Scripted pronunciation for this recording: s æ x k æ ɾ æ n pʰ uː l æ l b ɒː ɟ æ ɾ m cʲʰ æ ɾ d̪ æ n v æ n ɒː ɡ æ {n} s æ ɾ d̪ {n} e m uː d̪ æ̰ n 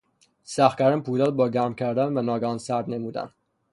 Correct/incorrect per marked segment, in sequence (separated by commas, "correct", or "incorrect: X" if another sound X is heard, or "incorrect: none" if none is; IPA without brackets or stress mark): correct, correct